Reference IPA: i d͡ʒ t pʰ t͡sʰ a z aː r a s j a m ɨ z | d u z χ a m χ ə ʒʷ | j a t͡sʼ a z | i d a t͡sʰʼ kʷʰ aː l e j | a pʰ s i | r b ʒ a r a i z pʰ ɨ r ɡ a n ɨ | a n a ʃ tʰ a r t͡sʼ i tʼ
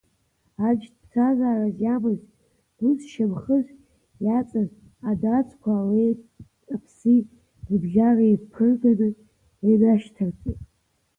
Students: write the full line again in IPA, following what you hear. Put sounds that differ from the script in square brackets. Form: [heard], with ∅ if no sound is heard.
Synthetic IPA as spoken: [a] d͡ʒ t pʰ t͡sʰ a z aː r a [z] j a m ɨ z | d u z [ʃ] a m χ ə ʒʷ | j a t͡sʼ a z | [a] d a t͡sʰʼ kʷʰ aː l e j | a pʰ s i | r b ʒ a r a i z pʰ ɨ r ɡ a n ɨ | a n a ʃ tʰ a r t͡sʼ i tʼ